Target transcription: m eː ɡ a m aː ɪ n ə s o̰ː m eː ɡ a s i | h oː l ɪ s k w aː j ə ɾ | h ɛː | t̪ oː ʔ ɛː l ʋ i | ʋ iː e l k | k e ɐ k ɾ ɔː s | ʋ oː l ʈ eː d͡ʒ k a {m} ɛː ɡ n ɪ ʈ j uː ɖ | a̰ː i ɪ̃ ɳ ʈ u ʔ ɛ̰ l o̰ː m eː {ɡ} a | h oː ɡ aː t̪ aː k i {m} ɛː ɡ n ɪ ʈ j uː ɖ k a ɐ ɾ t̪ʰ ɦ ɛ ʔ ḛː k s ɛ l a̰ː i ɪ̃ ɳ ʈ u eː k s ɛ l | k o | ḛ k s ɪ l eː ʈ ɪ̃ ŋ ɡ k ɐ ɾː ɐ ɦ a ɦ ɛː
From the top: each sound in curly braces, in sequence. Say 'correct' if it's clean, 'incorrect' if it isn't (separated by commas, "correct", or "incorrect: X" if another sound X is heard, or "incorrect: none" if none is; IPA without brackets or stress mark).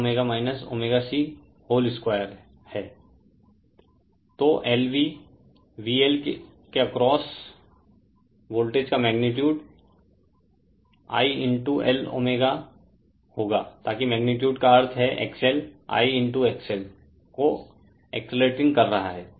correct, correct, correct